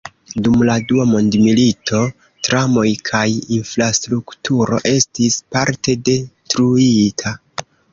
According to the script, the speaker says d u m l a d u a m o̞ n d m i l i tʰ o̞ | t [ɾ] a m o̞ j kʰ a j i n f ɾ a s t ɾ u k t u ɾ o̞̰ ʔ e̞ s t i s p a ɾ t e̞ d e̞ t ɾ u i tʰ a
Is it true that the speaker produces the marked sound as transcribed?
yes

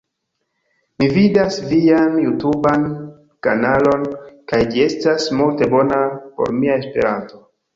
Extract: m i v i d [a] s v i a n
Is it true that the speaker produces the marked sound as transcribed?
yes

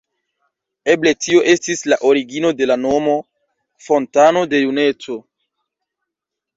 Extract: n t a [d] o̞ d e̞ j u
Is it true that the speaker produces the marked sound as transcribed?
no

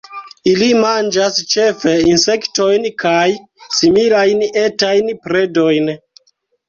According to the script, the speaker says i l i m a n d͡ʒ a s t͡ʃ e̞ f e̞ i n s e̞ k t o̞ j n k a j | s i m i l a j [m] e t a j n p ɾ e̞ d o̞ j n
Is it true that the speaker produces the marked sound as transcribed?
no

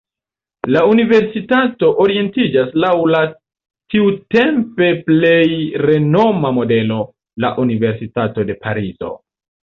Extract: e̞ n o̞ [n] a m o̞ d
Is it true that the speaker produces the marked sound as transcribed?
no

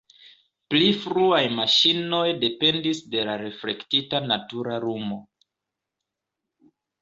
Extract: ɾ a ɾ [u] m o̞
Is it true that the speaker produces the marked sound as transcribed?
yes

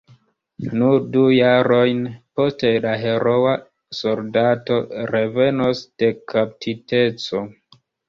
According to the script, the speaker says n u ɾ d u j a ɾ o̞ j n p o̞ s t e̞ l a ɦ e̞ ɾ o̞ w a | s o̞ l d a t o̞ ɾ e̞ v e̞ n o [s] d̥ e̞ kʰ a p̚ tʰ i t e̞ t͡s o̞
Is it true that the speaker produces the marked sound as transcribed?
yes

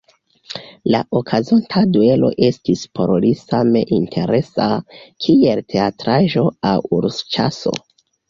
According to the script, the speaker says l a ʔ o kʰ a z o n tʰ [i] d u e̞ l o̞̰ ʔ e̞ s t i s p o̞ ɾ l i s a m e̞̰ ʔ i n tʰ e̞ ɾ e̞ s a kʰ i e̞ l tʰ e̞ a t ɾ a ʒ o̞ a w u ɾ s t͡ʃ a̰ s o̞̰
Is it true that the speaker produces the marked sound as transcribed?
no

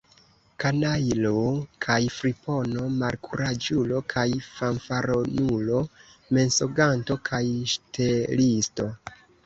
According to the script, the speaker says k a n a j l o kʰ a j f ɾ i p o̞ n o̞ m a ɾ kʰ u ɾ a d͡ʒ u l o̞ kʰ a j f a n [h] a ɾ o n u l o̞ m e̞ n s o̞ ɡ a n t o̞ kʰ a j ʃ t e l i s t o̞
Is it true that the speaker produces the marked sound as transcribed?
no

